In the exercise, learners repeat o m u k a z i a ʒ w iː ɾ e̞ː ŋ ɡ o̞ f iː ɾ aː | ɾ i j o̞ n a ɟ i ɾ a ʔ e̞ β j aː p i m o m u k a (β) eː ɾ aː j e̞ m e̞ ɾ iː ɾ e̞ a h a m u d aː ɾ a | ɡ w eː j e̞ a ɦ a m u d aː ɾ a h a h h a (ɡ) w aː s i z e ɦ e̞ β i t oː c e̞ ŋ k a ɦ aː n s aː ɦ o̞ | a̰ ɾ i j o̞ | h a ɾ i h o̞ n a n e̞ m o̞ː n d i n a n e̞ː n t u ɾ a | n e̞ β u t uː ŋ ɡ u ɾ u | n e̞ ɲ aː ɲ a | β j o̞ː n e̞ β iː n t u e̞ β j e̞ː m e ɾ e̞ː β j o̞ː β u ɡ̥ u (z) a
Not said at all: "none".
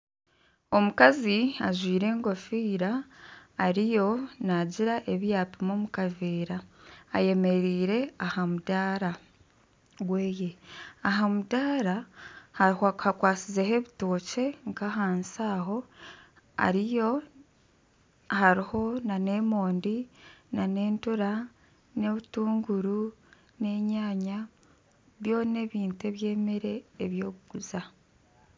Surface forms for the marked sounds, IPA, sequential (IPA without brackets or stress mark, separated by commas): v, k, z